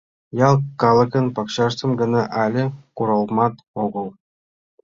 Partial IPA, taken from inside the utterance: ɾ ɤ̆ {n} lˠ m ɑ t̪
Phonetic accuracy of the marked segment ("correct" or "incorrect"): incorrect